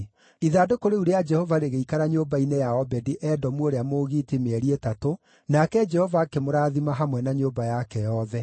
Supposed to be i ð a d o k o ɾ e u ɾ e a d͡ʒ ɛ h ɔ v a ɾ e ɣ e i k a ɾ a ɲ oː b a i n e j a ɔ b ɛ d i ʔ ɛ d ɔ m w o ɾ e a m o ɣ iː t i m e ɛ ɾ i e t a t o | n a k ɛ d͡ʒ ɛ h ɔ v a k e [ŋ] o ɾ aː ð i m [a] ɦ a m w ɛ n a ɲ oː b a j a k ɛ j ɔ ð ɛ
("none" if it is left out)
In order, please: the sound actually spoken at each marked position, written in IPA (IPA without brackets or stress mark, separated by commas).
m, a